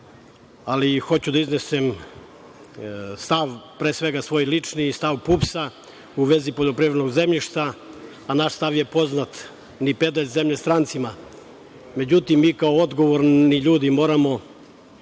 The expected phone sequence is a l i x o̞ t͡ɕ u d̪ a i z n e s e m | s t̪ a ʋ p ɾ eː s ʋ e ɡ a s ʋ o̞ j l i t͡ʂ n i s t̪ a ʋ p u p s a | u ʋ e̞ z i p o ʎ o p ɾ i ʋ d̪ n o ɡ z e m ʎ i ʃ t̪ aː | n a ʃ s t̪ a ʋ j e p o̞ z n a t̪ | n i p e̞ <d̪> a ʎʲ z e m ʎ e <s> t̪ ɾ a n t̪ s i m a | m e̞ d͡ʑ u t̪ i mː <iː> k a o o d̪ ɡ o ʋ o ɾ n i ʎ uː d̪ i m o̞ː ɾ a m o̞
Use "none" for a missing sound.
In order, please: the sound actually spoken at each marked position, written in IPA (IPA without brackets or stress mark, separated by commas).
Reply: d̪, s, iː